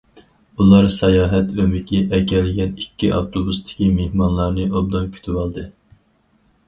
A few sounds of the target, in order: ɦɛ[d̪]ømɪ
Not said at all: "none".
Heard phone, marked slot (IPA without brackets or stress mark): t̪